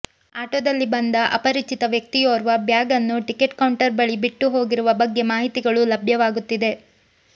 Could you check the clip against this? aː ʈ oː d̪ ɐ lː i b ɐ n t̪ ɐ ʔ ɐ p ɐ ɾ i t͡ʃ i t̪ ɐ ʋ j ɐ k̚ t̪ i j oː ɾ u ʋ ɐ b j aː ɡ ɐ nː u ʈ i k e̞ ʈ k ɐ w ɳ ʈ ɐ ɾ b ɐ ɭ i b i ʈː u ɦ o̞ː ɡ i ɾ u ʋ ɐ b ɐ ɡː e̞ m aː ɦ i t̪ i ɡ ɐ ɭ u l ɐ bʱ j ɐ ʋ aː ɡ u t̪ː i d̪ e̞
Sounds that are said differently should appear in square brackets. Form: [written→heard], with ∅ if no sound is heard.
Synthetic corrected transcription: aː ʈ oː d̪ ɐ lː i b ɐ n [t̪→d̪] ɐ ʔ ɐ p ɐ ɾ i t͡ʃ i t̪ ɐ ʋ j ɐ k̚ t̪ i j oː ɾ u ʋ ɐ b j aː ɡ ɐ nː u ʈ i k e̞ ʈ k ɐ w ɳ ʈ ɐ ɾ b ɐ ɭ i b i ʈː u ɦ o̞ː ɡ i ɾ u ʋ ɐ b ɐ ɡː e̞ m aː ɦ i t̪ i ɡ ɐ ɭ u l ɐ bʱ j ɐ ʋ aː ɡ u t̪ː i d̪ e̞